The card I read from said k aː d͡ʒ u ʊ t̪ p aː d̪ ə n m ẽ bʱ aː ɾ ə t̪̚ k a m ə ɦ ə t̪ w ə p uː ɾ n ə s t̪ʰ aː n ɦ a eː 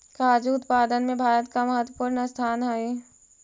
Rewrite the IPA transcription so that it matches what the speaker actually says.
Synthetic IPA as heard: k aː d͡ʒ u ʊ t̪ p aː d̪ ə n m ẽ bʱ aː ɾ ə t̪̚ k a m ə ɦ ə t̪ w ə p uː ɾ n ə s t̪ʰ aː n ɦ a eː